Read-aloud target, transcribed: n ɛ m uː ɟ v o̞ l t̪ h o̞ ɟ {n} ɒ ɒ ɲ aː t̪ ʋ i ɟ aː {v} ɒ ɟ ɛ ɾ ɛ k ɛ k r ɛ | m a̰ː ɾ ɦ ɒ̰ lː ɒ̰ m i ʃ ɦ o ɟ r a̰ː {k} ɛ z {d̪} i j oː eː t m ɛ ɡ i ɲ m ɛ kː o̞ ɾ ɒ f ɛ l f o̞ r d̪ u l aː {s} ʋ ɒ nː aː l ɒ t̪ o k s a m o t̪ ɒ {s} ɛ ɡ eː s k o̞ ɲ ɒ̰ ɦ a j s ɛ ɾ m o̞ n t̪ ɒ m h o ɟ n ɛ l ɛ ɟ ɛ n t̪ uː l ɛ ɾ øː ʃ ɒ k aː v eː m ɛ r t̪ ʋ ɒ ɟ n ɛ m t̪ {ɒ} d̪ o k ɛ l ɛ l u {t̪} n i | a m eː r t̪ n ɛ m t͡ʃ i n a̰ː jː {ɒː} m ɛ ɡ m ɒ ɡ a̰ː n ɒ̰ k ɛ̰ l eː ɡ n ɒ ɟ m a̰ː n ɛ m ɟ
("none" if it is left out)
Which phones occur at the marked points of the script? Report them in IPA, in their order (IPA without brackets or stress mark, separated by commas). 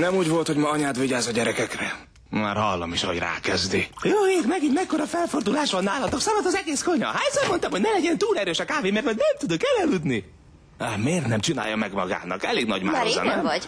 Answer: m, z, k, d̪, ʃ, z, u, d̪, ɒ